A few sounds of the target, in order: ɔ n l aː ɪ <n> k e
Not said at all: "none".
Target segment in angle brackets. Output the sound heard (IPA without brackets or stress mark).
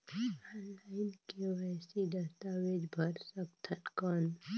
n